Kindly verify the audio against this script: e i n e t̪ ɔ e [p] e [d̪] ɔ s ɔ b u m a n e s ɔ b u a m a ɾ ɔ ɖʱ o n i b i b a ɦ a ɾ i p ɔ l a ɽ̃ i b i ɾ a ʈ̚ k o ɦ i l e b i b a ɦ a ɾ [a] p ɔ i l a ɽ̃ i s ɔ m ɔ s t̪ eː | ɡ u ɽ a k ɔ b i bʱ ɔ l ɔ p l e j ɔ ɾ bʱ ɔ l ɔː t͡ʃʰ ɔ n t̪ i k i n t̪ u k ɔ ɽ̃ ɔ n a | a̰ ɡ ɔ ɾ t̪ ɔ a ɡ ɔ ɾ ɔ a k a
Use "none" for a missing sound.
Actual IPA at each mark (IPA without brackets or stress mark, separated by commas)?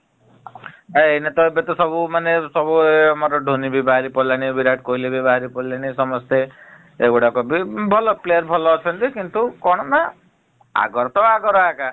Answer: b, t̪, i